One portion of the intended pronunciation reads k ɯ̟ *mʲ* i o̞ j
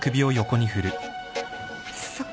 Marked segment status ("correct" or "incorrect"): incorrect